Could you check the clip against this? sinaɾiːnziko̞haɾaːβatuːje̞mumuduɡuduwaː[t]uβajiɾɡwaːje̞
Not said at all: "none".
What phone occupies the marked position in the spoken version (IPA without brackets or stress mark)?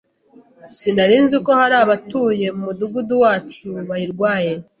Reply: t͡ʃ